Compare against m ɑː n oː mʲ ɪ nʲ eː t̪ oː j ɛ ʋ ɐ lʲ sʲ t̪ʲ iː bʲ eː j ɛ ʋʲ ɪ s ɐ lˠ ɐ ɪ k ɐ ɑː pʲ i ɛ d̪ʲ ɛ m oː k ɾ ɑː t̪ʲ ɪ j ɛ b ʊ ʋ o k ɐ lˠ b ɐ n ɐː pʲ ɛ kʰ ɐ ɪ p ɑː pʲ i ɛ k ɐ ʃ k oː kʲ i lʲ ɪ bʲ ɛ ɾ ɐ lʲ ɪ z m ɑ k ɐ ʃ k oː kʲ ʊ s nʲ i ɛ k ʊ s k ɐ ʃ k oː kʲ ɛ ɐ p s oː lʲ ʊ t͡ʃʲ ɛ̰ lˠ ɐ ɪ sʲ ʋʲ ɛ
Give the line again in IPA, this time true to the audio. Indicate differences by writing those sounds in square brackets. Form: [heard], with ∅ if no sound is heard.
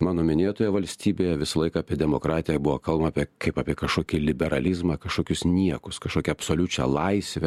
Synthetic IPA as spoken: m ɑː n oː mʲ ɪ nʲ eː t̪ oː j ɛ ʋ ɐ lʲ sʲ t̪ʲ iː bʲ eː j ɛ ʋʲ ɪ s ɐ lˠ ɐ ɪ k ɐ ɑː pʲ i ɛ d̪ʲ ɛ m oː k ɾ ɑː t̪ʲ ɪ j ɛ b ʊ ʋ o k ɐ lˠ b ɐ [m] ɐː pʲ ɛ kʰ ɐ ɪ p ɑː pʲ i ɛ k ɐ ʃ k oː kʲ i lʲ ɪ bʲ ɛ ɾ ɐ lʲ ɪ z m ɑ k ɐ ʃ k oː kʲ ʊ s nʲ i ɛ k ʊ s k ɐ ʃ k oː kʲ ɛ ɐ p s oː lʲ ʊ t͡ʃʲ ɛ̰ lˠ ɐ ɪ sʲ ʋʲ ɛ